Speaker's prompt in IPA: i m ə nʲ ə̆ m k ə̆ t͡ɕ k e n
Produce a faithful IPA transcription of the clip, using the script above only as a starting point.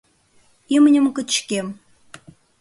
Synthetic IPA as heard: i m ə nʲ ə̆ m k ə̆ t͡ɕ k e m